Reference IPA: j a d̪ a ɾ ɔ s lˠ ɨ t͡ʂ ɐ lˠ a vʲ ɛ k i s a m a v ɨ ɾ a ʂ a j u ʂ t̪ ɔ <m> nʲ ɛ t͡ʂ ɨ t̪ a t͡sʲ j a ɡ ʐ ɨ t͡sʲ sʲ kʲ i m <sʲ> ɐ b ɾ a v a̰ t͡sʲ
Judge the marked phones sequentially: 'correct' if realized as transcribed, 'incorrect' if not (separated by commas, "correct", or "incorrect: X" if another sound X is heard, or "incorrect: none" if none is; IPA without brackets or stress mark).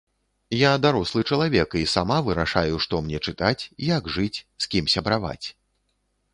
correct, correct